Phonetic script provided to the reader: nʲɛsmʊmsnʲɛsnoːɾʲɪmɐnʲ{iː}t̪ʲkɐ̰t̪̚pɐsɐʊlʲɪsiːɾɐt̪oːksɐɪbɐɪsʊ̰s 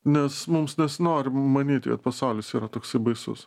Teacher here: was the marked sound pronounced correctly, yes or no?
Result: yes